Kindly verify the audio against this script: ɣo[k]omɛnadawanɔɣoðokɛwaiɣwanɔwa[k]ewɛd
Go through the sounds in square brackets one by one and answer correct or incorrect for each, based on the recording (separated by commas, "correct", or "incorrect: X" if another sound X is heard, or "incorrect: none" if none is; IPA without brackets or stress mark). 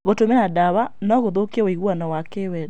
incorrect: t, correct